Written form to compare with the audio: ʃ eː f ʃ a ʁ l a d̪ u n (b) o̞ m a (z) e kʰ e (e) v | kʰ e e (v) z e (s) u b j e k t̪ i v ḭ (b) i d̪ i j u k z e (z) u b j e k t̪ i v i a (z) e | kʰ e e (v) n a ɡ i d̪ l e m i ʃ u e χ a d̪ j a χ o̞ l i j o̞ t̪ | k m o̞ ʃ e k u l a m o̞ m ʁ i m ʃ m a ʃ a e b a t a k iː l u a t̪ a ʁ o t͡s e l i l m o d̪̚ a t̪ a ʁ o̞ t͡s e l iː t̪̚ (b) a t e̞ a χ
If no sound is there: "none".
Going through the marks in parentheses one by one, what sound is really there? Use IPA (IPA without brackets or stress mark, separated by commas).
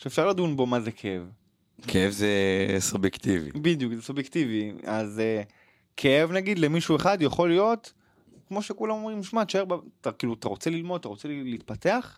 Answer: b, z, e, v, s, b, s, z, v, p